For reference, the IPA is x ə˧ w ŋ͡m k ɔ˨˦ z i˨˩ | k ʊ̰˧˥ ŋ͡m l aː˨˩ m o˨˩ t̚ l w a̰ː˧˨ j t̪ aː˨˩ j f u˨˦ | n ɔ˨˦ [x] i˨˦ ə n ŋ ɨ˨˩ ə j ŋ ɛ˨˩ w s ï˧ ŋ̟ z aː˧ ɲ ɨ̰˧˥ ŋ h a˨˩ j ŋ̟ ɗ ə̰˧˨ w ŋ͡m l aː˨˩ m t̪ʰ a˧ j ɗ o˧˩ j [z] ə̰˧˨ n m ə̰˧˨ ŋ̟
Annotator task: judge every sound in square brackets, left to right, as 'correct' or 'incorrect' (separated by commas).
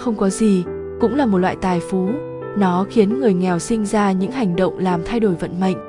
correct, incorrect